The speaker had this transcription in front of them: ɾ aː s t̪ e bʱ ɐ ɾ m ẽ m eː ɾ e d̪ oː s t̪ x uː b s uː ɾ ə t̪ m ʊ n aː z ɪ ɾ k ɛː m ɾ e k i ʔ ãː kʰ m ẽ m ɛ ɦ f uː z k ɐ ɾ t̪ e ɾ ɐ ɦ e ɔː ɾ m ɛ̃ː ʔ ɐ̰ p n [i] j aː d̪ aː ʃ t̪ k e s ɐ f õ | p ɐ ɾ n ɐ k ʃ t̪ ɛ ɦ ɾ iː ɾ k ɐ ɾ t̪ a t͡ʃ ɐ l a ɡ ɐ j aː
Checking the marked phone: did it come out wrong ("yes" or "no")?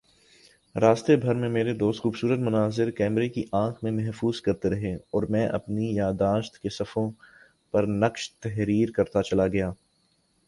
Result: no